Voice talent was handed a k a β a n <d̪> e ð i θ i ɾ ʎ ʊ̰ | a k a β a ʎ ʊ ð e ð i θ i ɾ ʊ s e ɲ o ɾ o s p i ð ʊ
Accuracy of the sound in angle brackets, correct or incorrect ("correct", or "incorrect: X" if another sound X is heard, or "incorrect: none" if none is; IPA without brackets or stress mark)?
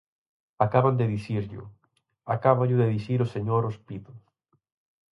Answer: correct